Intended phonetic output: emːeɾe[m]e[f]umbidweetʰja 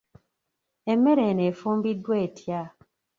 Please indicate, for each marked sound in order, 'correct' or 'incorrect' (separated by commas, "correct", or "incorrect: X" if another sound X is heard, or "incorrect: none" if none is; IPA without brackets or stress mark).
incorrect: n, correct